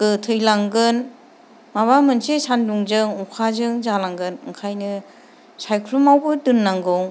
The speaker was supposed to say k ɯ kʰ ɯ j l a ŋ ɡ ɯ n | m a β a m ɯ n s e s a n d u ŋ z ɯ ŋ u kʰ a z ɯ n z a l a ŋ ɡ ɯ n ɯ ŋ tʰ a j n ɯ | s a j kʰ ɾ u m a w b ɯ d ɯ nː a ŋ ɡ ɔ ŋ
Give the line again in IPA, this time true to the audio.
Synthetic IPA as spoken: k ɯ tʰ ɯ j l a ŋ ɡ ɯ n | m a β a m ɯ n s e s a n d u ŋ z ɯ ŋ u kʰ a z ɯ ŋ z a l a ŋ ɡ ɯ n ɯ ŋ kʰ a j n ɯ | s a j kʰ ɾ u m a w b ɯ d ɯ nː a ŋ ɡ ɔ ŋ